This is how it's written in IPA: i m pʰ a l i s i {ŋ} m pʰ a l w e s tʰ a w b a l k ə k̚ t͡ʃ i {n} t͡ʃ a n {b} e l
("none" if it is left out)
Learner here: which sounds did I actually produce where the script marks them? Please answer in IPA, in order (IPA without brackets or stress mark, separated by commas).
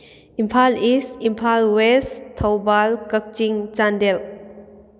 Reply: none, ŋ, d